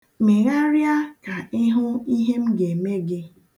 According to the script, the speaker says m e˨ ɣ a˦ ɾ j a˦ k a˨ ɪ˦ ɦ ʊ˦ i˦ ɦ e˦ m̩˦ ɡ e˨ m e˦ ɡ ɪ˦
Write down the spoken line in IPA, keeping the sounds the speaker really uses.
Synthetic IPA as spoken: m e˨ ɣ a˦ ɾ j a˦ k a˨ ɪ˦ ɦ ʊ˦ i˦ ɦ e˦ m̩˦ ɡ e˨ m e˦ ɡ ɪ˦